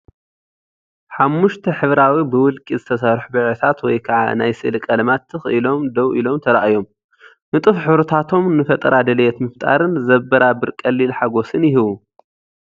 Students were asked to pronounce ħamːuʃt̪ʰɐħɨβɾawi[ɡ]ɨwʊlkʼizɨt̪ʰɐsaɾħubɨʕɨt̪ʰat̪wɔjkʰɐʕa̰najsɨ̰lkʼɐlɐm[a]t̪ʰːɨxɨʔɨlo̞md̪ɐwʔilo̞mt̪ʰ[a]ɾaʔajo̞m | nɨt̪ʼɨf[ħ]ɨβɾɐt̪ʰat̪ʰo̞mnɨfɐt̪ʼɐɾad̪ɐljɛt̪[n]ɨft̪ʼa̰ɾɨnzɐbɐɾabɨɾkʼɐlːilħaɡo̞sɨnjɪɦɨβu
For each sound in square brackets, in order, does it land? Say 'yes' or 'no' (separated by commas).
no, yes, no, yes, no